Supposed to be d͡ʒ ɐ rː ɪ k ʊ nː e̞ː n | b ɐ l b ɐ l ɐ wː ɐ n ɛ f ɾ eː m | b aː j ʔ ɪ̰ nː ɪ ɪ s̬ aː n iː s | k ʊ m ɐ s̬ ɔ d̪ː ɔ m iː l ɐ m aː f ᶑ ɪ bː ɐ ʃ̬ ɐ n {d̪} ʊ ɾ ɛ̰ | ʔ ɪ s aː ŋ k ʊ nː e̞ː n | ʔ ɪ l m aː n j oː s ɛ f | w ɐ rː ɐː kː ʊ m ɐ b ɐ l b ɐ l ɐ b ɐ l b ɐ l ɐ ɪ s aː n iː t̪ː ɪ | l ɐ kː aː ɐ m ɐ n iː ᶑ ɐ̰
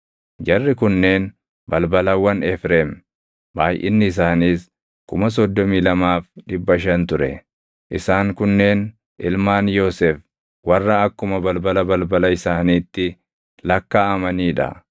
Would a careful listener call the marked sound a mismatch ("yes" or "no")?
yes